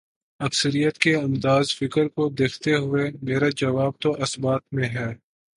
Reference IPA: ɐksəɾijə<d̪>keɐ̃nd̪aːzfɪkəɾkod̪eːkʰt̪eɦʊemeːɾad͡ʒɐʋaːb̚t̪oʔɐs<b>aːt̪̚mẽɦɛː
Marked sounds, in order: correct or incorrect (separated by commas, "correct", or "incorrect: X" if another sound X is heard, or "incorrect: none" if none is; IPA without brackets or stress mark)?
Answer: incorrect: t̪, correct